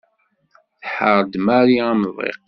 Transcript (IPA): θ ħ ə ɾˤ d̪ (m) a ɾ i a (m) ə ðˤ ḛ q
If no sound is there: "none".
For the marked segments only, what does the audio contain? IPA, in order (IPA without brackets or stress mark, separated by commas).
m, m